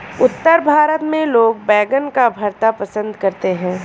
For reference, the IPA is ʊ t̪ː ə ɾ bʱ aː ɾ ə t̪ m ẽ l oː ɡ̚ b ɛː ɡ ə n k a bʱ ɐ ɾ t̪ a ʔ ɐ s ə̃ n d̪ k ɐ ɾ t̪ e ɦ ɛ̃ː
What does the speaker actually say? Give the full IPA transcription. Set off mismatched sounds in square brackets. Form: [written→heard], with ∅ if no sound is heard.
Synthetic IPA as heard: ʊ t̪ː ə ɾ bʱ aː ɾ ə t̪ m ẽ l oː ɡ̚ b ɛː ɡ ə n k a bʱ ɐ ɾ t̪ a [ʔ→p] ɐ s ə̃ n d̪ k ɐ ɾ t̪ e ɦ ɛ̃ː